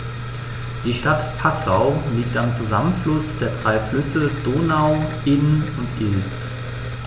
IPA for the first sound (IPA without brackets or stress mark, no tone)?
d̥